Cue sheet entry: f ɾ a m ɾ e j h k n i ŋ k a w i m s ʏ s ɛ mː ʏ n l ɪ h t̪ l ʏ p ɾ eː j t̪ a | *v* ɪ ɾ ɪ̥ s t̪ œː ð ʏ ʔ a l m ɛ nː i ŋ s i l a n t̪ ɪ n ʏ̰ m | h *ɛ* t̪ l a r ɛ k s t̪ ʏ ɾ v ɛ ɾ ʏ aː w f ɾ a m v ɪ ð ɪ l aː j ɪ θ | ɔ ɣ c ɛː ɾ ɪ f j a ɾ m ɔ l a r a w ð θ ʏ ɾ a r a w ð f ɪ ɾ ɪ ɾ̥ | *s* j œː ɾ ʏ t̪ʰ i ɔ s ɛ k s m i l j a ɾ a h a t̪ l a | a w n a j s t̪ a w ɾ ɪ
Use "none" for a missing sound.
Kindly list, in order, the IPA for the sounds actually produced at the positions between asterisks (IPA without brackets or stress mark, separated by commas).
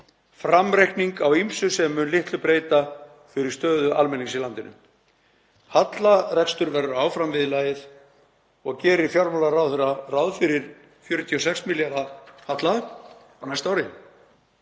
f, a, f